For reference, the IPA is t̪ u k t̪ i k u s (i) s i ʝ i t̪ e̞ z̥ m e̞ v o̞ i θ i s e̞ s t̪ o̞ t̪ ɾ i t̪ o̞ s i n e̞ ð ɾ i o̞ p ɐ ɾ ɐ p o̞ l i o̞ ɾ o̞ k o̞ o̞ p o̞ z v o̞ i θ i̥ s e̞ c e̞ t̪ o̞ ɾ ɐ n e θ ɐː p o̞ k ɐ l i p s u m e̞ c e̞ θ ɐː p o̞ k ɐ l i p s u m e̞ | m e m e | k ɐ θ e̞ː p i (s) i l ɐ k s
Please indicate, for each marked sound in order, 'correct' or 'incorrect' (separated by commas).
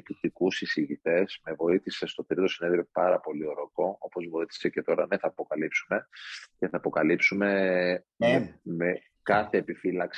correct, incorrect